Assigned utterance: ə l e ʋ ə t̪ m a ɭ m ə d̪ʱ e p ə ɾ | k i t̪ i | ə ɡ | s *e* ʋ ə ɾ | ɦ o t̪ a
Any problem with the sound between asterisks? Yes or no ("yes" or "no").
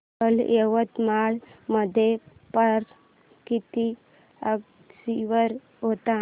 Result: yes